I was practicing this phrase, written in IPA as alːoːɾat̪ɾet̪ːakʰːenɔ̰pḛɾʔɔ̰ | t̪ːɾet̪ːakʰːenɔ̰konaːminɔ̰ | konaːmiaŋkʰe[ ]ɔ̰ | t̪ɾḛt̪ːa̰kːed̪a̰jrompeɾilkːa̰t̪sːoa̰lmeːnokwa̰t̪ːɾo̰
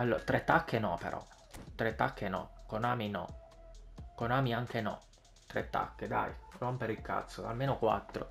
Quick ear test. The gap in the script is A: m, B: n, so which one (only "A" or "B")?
B